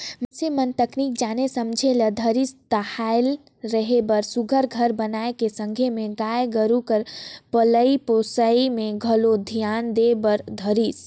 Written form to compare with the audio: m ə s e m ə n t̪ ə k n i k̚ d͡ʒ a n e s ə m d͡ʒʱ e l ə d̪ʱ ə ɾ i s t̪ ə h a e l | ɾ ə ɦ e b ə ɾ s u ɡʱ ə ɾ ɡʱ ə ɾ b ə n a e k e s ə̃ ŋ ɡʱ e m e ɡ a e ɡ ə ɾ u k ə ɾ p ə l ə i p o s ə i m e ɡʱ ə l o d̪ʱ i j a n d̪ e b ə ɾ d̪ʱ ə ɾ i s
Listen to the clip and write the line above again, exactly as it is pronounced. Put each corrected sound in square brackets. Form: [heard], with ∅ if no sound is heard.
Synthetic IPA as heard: m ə s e m ə n t̪ ə k n i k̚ d͡ʒ a n e s ə m d͡ʒʱ e l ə d̪ʱ ə ɾ i s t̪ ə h a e l | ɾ ə ɦ e b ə ɾ s u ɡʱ ə ɾ ɡʱ ə ɾ b ə n a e k e s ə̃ ŋ ɡʱ e m e ɡ a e ɡ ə ɾ u k ə ɾ p ə l ə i p o s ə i m e ɡʱ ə l o d̪ʱ i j a n d̪ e b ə ɾ d̪ʱ ə ɾ i s